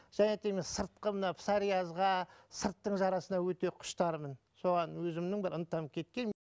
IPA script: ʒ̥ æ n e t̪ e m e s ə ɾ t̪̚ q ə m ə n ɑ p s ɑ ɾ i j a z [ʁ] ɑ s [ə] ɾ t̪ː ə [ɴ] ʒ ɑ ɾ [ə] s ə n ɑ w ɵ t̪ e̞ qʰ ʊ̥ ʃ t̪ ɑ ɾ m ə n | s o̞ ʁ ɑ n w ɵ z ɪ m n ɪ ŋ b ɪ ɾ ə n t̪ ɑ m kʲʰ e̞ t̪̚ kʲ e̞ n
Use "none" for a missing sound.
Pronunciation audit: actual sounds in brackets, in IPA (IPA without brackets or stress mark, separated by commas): ʁ, ə, ɴ, ɑ